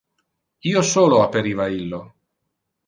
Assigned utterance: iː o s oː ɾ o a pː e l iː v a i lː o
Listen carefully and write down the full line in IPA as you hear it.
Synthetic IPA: iː o s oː l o a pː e ɾ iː v a i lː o